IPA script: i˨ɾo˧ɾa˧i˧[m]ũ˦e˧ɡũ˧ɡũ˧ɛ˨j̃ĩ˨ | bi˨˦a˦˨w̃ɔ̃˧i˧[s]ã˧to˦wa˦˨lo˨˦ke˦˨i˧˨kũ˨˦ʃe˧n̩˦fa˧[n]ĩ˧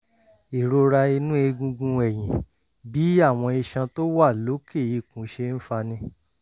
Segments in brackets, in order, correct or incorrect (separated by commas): incorrect, incorrect, correct